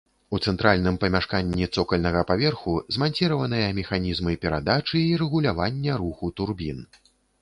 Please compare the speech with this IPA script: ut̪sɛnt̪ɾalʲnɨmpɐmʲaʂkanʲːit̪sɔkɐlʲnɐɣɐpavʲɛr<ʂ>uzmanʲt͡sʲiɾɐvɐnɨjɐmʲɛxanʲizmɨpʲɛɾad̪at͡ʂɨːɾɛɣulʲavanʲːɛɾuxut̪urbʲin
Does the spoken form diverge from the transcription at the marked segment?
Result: yes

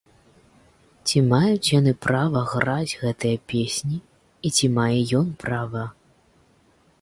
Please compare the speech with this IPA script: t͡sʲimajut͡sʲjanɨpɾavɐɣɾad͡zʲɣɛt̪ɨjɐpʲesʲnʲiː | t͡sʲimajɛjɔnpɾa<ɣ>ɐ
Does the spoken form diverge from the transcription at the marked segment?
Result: yes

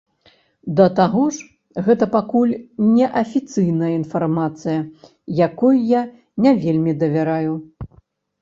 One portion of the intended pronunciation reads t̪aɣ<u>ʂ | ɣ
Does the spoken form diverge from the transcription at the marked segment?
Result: yes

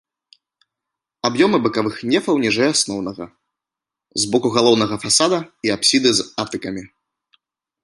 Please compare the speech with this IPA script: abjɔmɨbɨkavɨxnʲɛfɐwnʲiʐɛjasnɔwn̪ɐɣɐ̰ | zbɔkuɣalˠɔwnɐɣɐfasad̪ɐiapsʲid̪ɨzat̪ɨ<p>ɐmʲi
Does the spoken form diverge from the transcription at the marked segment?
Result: yes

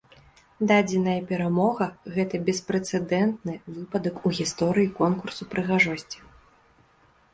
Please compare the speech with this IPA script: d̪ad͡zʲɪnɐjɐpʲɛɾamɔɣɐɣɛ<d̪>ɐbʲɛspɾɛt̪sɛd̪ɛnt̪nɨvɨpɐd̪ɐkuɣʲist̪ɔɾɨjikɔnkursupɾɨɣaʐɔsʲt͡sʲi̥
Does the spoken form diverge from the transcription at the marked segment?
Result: yes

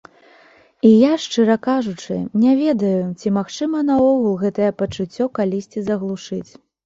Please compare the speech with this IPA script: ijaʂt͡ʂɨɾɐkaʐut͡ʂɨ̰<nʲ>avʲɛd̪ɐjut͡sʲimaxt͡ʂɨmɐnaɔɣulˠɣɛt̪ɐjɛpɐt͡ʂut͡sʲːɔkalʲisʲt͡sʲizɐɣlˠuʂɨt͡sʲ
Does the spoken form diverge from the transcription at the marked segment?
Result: no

